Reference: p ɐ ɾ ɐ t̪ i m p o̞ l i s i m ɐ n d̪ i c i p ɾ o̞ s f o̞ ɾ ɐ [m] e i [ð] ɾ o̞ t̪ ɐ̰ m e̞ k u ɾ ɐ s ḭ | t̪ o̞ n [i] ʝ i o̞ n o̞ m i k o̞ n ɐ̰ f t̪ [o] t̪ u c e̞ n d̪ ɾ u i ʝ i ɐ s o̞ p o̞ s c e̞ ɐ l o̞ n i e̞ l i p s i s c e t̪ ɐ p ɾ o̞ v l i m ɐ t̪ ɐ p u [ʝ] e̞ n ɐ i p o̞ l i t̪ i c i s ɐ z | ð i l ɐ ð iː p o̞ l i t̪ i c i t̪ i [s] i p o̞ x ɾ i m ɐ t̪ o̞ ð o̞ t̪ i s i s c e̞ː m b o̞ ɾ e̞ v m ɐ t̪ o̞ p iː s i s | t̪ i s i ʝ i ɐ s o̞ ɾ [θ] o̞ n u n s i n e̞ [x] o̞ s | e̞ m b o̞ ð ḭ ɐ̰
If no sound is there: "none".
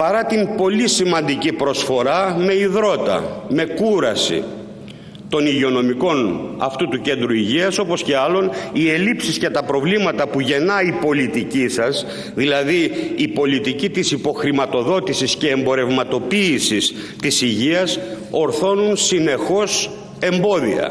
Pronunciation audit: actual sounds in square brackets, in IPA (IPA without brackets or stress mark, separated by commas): m, ð, i, u, ʝ, s, θ, x